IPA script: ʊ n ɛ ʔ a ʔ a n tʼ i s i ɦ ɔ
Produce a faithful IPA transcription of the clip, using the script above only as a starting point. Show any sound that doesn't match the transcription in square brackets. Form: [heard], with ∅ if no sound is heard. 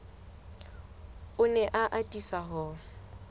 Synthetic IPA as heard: ʊ n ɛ ʔ a ʔ a [∅] tʼ i s [a] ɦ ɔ